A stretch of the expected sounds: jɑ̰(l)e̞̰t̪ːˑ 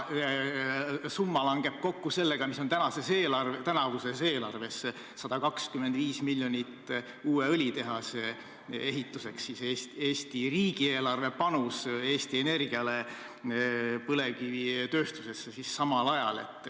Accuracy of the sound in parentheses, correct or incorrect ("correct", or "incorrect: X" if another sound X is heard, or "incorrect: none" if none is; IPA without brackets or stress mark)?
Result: correct